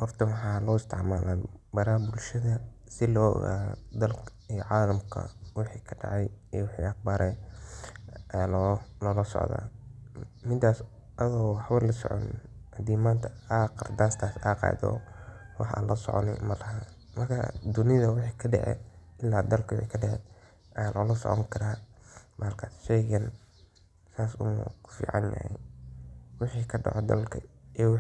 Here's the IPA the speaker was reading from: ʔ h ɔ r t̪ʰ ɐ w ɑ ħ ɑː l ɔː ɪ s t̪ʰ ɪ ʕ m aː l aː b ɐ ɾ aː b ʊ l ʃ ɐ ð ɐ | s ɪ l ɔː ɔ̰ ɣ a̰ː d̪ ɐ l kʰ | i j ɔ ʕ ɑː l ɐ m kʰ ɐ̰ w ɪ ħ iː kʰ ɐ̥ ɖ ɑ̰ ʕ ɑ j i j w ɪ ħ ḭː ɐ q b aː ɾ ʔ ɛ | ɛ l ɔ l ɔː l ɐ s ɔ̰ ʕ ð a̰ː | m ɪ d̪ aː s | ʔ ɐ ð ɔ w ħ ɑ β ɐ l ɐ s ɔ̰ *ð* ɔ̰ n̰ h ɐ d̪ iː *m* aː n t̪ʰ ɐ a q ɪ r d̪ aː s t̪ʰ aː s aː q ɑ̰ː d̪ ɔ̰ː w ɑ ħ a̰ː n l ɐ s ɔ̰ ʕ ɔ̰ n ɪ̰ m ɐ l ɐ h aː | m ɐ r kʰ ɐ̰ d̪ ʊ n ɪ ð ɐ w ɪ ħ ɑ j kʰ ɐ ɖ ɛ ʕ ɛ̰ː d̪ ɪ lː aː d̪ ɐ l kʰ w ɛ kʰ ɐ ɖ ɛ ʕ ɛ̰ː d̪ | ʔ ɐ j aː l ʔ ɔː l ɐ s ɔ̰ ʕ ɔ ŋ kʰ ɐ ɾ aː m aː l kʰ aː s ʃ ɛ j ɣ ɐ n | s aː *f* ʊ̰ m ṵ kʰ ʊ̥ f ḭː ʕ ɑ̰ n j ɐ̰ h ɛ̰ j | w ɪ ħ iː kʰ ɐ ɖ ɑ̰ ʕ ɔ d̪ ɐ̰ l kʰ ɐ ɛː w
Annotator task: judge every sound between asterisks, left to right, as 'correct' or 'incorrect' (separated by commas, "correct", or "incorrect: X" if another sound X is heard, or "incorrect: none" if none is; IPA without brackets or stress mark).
incorrect: ʕ, correct, incorrect: s